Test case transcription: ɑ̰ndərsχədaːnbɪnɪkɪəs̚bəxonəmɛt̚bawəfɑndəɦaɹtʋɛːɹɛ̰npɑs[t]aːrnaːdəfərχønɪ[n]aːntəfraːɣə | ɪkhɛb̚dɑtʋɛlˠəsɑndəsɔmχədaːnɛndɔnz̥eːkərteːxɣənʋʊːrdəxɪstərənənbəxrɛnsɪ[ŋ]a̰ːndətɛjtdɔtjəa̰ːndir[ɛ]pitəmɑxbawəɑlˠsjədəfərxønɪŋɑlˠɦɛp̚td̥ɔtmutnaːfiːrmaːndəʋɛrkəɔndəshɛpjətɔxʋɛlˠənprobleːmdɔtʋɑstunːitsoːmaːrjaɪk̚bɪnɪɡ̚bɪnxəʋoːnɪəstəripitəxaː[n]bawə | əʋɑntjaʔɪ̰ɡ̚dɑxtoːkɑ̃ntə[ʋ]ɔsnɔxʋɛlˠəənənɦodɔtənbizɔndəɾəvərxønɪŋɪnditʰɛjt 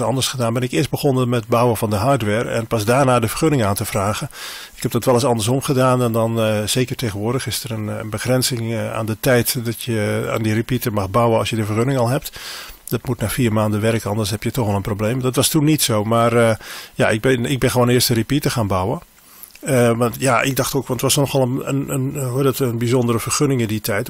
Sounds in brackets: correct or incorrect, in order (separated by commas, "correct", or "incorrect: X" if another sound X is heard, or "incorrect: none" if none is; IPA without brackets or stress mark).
incorrect: d, incorrect: ŋ, correct, incorrect: i, correct, correct